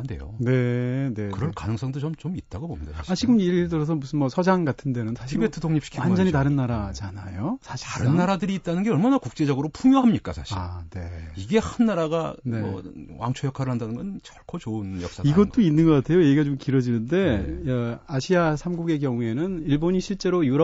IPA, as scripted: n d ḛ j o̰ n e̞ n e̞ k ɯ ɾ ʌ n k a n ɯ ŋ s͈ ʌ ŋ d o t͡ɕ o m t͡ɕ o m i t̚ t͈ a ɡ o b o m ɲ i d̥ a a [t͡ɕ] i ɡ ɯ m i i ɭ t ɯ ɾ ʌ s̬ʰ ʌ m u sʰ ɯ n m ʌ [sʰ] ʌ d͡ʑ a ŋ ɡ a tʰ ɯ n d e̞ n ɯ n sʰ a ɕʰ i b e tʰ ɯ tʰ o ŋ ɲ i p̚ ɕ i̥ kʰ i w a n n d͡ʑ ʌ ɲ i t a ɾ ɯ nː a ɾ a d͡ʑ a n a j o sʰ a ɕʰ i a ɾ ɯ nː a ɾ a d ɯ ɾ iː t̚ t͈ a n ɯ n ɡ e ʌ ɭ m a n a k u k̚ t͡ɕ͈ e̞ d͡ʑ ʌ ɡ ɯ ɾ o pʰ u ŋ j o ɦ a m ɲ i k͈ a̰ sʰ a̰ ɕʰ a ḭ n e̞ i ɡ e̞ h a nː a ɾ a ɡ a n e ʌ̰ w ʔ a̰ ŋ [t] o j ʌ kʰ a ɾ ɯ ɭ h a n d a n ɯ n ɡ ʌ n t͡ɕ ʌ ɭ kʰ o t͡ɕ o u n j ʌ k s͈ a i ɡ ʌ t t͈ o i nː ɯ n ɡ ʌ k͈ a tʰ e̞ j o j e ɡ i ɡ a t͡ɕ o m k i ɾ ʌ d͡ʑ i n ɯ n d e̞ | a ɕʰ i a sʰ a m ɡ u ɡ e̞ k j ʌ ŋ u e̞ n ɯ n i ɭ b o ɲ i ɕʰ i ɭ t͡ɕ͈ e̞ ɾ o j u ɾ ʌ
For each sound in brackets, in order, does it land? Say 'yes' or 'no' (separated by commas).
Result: yes, yes, no